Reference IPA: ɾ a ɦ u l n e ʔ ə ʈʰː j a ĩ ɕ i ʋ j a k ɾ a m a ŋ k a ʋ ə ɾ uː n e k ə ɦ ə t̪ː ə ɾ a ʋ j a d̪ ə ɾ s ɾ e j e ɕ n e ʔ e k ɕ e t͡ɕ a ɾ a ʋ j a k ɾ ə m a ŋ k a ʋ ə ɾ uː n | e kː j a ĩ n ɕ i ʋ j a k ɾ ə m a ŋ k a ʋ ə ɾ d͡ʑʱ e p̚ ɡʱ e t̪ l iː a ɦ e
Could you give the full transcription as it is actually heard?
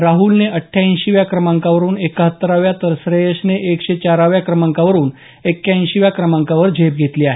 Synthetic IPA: ɾ a ɦ u l n e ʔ ə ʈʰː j a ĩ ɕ i ʋ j a k ɾ ə m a ŋ k a ʋ ə ɾ uː n e k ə ɦ ə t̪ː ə ɾ a ʋ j a t̪ ə ɾ s ɾ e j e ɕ n e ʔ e k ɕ e t͡ɕ a ɾ a ʋ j a k ɾ ə m a ŋ k a ʋ ə ɾ uː n | e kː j a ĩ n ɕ i ʋ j a k ɾ ə m a ŋ k a ʋ ə ɾ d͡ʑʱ e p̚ ɡʱ e t̪ l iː a ɦ e

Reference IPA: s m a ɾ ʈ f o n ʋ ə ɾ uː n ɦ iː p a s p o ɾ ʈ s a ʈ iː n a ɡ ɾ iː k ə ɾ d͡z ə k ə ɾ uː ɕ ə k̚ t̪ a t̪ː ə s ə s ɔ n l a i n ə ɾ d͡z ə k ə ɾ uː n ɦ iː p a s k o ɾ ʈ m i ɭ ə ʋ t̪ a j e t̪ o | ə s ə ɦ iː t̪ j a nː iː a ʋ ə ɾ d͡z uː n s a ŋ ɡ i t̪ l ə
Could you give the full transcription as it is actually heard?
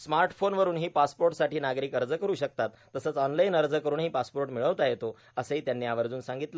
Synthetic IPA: s m a ɾ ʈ f o n ʋ ə ɾ uː n ɦ iː p a s p o ɾ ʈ s a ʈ iː n a ɡ ɾ iː k ə ɾ d͡z ə k ə ɾ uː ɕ ə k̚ t̪ a t̪ː ə s ə t͡s ɔ n l a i n ə ɾ d͡z ə k ə ɾ uː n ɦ iː p a s p o ɾ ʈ m i ɭ ə ʋ t̪ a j e t̪ o | ə s ə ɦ iː t̪ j a nː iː a ʋ ə ɾ d͡z uː n s a ŋ ɡ i t̪ l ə

